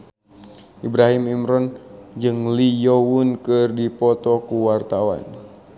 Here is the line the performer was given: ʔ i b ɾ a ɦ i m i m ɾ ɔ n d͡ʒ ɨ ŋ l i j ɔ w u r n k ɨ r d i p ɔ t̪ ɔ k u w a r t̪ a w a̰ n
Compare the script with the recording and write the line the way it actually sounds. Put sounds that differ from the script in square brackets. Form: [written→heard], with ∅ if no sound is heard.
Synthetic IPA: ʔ i b ɾ a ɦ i m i m ɾ ɔ n d͡ʒ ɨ ŋ l i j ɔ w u [r→∅] n k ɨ r d i p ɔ t̪ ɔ k u w a r t̪ a w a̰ n